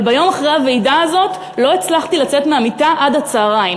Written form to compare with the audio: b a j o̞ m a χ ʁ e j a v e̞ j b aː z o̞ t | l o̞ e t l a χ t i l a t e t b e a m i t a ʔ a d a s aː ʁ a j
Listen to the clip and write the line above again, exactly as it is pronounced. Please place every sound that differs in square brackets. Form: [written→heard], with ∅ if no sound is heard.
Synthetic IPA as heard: b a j o̞ m a χ ʁ e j a v e̞ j [b→d] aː z o̞ t | l o̞ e [t→t͡s] l a χ t i l a [t→t͡s] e t [b→m] e a m i t a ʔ a d a [s→t͡s] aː ʁ a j